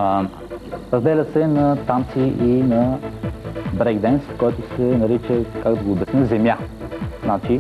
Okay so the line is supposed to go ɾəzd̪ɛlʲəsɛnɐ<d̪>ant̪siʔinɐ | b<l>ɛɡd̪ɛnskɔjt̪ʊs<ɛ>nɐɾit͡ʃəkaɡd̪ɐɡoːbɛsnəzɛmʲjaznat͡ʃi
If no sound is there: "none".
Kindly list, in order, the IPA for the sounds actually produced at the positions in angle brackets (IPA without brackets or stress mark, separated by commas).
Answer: t̪, ɾ, ɛ